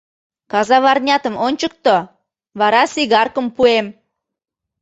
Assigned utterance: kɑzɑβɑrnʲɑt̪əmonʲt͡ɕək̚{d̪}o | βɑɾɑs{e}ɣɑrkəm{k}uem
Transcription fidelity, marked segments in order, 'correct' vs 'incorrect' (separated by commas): incorrect, incorrect, incorrect